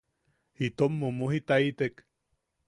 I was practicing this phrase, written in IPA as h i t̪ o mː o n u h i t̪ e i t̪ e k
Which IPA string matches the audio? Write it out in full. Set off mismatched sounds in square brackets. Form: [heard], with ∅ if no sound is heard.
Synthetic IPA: h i t̪ o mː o [m] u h i t̪ [a] i t̪ e k